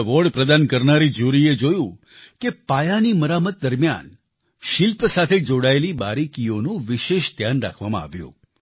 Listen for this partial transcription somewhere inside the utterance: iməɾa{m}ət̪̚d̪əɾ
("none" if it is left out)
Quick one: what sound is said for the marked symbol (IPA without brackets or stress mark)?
m